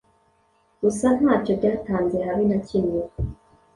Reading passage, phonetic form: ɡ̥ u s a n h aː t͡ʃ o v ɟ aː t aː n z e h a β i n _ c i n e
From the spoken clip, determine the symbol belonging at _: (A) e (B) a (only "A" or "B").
B